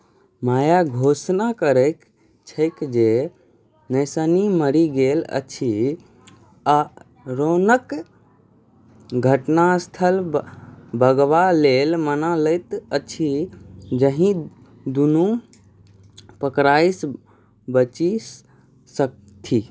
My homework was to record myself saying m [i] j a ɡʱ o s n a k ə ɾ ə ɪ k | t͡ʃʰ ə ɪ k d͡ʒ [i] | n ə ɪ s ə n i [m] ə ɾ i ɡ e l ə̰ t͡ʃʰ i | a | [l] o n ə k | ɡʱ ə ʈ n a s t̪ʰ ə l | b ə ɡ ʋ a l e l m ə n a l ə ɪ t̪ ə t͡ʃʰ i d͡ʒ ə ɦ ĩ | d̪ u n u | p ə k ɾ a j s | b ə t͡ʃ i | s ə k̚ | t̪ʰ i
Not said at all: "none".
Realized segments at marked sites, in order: a, e, m, ɾ

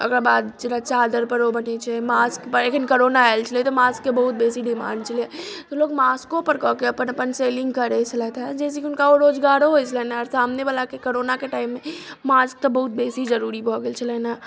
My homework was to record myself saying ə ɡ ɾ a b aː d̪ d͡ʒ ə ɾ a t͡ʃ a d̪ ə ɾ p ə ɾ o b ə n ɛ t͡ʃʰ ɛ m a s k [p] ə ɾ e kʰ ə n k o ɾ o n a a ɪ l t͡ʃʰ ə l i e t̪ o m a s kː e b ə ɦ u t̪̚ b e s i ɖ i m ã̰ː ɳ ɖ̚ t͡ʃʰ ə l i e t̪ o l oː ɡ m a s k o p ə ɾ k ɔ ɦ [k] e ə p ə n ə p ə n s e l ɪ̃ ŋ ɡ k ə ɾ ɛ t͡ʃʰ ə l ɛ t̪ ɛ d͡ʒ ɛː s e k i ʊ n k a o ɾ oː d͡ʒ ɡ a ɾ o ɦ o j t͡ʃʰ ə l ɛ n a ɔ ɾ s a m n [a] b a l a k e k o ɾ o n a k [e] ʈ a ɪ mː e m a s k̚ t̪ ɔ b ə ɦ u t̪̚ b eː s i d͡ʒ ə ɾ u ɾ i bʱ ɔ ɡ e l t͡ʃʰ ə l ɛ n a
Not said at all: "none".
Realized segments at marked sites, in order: p, k, e, e

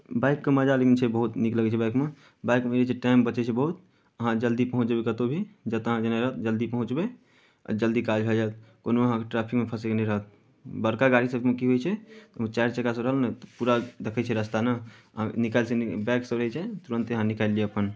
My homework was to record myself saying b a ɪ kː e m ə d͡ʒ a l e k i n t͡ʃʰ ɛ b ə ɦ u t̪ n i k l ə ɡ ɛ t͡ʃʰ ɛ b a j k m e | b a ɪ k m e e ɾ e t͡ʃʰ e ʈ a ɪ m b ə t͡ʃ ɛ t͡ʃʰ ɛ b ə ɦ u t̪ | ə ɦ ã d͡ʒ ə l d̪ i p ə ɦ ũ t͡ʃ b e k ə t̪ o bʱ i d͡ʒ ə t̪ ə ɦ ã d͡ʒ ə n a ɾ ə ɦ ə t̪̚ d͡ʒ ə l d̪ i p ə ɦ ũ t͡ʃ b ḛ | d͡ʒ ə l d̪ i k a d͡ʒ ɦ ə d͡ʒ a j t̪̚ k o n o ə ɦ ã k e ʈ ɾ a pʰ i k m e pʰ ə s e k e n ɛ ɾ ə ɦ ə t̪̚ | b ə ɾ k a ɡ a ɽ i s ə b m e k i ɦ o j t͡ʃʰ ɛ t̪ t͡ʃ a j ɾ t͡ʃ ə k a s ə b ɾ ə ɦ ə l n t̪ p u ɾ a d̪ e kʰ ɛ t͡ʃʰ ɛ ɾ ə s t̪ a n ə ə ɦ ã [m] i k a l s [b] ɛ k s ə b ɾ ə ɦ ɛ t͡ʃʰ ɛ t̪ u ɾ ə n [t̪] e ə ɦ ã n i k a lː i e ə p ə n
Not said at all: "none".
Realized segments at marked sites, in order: n, b, t̪

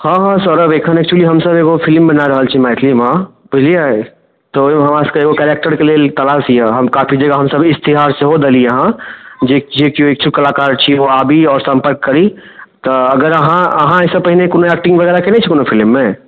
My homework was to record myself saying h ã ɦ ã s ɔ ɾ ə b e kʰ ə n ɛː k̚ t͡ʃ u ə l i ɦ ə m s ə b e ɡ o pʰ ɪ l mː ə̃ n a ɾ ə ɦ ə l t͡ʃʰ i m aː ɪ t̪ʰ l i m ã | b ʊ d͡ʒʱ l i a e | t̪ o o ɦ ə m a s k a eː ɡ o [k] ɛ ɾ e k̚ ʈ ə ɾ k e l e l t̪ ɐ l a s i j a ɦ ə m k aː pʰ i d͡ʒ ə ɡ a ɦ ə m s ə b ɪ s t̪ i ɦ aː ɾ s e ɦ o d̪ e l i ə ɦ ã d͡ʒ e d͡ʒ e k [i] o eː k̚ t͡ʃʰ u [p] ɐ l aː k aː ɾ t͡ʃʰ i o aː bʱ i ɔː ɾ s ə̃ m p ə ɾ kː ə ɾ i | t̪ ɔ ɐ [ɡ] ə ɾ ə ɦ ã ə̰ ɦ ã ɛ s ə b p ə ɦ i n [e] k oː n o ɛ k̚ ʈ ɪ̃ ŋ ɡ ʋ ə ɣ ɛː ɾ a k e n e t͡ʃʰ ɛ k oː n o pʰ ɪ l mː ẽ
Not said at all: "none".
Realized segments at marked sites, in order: k, i, k, ɡ, e

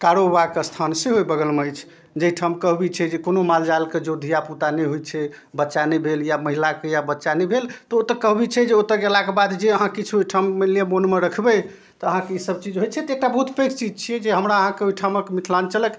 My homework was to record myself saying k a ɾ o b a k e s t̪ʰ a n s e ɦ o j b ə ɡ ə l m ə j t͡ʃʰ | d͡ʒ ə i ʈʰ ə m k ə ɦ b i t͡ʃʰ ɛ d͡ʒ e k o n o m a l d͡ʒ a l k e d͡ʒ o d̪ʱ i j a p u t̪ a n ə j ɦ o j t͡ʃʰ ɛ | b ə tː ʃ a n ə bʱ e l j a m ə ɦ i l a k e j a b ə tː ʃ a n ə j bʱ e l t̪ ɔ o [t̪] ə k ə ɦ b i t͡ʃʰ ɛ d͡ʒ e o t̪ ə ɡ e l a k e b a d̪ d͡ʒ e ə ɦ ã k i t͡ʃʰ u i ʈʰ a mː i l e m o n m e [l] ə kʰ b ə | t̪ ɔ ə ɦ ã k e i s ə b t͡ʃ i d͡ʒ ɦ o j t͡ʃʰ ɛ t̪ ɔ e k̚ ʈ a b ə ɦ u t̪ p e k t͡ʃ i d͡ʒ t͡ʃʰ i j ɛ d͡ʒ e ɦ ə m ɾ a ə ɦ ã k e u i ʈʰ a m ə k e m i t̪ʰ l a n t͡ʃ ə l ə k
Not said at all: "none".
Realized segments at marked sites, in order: t̪, ɾ

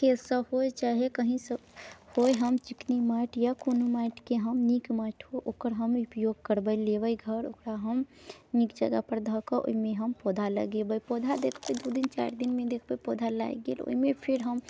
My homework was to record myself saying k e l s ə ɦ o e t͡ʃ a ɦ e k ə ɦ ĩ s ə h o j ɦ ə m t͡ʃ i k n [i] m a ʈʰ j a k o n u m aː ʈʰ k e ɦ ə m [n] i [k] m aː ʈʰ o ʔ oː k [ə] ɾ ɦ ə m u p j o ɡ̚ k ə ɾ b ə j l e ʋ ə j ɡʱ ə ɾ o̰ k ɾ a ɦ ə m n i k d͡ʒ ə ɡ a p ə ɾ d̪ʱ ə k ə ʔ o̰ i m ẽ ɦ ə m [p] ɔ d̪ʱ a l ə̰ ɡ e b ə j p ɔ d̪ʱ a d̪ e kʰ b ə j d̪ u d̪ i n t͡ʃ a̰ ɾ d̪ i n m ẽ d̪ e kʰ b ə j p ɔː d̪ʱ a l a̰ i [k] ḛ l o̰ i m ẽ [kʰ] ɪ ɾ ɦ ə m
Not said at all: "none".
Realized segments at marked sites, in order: i, n, k, ə, p, ɡ, pʰ

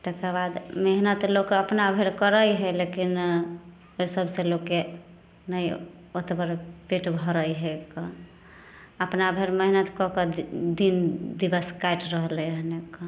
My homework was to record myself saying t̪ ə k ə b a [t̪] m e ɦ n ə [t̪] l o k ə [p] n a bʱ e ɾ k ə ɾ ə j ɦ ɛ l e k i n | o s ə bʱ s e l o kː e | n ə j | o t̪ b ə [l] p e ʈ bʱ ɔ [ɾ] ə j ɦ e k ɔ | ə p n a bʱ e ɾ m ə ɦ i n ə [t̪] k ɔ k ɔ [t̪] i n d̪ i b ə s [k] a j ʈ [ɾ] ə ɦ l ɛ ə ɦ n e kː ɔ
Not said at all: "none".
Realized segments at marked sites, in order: d̪, t̪, p, ɾ, ɾ, t̪, d̪, k, ɾ

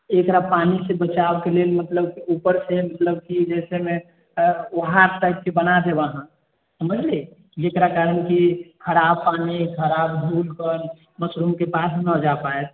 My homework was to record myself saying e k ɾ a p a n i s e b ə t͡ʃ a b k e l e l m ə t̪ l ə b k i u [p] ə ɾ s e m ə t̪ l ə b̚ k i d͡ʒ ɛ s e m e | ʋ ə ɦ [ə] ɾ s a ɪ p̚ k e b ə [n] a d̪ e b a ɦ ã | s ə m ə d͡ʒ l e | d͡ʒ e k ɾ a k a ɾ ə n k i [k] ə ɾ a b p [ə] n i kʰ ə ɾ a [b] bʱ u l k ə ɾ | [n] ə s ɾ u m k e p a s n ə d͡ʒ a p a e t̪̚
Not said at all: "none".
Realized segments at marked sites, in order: p, a, n, kʰ, a, b, m

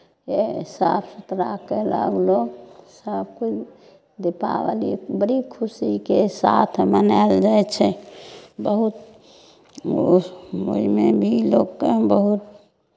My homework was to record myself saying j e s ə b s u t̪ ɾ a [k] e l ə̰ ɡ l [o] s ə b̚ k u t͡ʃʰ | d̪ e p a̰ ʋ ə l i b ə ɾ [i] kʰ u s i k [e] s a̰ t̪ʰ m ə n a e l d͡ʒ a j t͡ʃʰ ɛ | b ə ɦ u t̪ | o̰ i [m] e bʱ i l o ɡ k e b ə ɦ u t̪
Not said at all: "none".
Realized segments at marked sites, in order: k, o, i, e, m

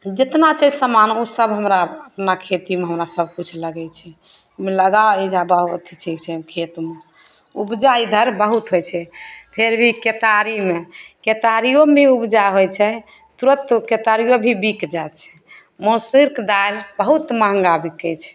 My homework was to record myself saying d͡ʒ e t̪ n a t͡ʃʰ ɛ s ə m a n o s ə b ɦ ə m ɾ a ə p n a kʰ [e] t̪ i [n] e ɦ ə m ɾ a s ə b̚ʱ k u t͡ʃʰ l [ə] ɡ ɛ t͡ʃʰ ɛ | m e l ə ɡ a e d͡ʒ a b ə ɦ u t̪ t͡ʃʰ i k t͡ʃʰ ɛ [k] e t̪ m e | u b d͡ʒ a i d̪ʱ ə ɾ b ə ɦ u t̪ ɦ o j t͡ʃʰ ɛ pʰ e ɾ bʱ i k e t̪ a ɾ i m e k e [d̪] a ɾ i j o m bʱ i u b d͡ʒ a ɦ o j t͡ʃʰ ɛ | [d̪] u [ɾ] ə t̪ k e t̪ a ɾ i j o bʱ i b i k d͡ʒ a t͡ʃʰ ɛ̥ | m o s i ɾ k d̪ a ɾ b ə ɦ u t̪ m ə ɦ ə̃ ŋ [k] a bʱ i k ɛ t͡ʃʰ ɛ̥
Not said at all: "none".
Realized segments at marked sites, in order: e, m, ə, kʰ, t̪, t̪, ɾ, ɡ

